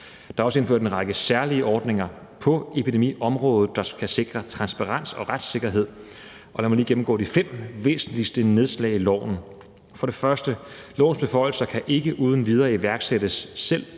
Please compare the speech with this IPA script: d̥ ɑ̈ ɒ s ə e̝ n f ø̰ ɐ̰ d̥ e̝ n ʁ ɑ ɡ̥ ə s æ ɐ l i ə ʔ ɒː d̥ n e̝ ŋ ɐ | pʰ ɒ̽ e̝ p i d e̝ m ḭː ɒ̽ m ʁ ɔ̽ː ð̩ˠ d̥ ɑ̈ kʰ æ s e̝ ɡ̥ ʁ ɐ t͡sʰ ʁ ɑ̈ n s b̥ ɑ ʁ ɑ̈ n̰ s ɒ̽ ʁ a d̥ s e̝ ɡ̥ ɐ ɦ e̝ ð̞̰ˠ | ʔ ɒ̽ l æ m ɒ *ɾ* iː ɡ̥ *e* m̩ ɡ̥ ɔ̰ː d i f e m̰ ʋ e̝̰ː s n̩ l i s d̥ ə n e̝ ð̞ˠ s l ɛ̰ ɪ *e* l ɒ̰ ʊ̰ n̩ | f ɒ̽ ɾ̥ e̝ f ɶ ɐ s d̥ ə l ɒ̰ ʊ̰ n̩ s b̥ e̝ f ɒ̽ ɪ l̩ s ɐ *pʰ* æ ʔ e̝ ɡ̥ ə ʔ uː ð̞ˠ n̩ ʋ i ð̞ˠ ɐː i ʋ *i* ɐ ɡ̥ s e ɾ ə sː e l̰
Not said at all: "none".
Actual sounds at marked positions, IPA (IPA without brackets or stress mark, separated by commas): l, e, i, kʰ, æ